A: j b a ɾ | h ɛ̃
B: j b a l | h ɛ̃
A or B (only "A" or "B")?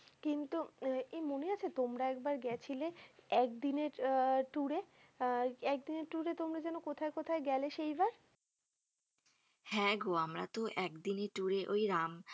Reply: A